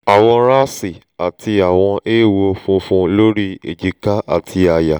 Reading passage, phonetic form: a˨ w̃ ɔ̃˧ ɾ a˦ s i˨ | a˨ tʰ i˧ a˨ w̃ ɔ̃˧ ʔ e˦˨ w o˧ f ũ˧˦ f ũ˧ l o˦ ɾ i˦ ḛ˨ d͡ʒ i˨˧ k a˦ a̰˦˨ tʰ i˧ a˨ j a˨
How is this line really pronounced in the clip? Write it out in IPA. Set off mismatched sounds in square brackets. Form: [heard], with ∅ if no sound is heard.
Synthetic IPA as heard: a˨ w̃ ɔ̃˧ ɾ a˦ s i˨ | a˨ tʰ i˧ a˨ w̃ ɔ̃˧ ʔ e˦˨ w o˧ f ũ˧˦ f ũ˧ l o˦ ɾ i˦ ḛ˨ d͡ʒ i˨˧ k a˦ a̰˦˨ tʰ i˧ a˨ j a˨